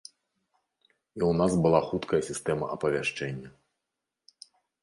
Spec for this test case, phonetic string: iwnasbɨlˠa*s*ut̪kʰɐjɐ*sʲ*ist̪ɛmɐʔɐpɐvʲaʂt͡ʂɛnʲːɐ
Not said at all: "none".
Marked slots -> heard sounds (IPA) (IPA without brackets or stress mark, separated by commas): x, sʲ